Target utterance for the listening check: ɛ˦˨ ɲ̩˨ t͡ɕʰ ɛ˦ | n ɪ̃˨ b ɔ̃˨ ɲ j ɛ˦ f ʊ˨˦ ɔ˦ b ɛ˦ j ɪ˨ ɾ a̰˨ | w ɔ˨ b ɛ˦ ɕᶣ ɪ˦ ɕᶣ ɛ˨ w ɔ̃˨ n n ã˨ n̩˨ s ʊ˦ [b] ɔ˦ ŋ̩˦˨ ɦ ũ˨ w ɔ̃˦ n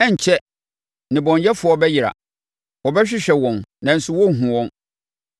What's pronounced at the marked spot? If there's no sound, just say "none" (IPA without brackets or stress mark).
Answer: w